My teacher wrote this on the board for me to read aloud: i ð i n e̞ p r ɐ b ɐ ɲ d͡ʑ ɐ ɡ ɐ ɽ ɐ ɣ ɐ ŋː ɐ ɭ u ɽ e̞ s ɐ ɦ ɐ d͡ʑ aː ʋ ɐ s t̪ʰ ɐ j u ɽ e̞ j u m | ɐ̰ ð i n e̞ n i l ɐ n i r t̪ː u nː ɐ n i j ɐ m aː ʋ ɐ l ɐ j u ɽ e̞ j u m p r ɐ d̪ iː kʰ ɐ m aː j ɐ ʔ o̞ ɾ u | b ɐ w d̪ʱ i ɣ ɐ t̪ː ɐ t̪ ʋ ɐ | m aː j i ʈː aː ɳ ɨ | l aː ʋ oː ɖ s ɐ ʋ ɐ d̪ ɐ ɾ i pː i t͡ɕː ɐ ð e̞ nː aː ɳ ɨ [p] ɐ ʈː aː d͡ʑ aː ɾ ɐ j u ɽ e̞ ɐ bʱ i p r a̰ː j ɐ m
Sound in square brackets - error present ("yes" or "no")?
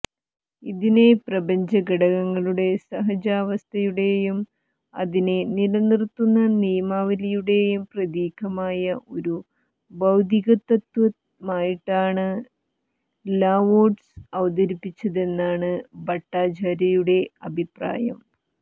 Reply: yes